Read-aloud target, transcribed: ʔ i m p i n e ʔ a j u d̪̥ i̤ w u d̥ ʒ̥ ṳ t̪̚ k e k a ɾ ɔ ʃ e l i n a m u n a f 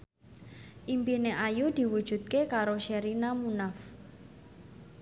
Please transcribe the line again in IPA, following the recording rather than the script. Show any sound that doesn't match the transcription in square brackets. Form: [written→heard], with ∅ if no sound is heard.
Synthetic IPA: ʔ i m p i n e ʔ a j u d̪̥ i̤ w u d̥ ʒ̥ ṳ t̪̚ k e k a ɾ [ɔ→o] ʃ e [l→ɾ] i n a m u n a f